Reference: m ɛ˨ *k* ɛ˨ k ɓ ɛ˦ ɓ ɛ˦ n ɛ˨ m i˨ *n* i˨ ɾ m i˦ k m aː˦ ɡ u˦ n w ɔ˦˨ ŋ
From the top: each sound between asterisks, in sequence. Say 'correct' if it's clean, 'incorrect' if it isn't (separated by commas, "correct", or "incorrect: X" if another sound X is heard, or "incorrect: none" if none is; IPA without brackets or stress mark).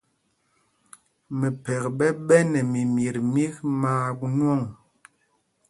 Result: incorrect: p, incorrect: m